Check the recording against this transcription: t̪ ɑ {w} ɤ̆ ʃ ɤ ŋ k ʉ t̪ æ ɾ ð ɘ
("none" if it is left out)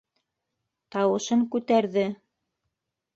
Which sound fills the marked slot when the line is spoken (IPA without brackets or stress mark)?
w